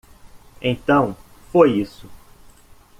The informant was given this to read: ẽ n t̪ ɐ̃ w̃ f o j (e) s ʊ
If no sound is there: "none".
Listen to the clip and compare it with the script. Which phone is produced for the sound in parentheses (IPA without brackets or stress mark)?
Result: i